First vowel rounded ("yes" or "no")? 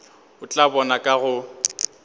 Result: yes